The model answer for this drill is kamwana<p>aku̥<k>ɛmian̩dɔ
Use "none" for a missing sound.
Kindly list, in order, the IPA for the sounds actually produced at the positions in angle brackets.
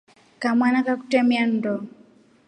k, t

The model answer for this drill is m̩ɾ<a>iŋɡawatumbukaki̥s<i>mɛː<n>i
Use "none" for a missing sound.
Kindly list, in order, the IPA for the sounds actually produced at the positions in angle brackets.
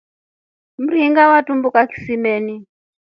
i, i, n

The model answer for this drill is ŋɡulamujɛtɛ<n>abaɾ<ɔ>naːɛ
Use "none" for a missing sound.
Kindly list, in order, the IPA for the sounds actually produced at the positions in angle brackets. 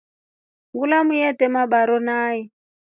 m, ɔ

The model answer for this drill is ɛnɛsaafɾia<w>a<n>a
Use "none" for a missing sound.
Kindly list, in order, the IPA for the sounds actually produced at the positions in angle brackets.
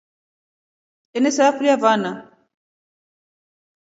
v, n

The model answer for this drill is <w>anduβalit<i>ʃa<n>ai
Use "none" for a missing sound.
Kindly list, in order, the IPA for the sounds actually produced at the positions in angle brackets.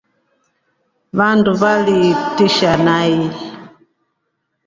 β, i, n

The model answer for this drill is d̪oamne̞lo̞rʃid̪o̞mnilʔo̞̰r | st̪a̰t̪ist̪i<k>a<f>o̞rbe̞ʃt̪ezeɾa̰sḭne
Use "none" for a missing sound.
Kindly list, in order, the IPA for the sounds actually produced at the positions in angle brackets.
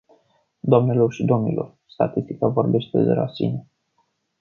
k, v

